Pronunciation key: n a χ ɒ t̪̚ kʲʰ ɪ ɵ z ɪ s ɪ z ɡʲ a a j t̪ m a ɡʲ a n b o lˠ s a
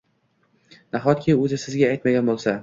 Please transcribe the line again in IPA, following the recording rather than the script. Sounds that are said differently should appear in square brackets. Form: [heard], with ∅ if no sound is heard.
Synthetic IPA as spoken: n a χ ɒ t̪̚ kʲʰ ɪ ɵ z ɪ s ɪ z ɡʲ a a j t̪ m a ɡʲ a n b o lˠ s a